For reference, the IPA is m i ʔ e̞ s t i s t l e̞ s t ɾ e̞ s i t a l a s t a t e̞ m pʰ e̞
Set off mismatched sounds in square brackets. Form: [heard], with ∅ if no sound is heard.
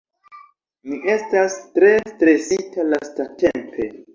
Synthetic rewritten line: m i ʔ e̞ s t [a] s t [ɾ] e̞ s t ɾ e̞ s i t a l a s t a t e̞ m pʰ e̞